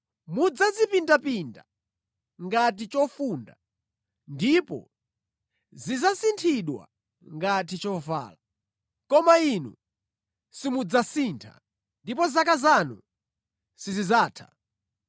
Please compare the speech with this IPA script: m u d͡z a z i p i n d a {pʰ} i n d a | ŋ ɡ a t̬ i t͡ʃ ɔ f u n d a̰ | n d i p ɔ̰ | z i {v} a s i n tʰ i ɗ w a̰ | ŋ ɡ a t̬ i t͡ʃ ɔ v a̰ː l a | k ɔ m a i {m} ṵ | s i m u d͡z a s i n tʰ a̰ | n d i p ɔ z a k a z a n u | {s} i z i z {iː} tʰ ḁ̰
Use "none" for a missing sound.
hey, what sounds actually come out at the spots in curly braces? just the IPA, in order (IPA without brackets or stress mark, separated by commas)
p, z, n, s, aː